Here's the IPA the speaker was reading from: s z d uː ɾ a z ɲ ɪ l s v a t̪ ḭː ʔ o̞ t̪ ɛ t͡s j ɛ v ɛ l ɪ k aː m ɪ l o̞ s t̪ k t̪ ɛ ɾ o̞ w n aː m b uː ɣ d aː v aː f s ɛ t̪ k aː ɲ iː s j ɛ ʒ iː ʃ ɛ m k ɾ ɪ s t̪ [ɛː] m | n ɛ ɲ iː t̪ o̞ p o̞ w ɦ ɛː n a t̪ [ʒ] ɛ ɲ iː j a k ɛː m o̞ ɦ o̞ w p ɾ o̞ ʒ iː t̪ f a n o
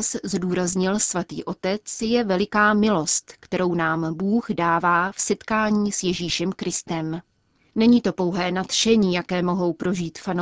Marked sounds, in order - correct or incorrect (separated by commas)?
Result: incorrect, incorrect